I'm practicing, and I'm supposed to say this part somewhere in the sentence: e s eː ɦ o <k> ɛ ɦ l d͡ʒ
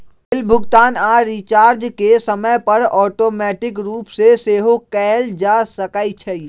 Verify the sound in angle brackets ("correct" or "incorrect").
correct